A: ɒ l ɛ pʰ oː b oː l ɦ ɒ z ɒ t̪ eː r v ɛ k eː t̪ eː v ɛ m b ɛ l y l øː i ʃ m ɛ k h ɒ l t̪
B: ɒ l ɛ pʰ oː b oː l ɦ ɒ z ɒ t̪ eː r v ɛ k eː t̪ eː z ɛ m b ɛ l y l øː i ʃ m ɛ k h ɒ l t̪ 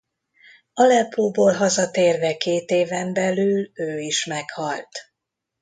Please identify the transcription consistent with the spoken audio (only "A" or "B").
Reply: A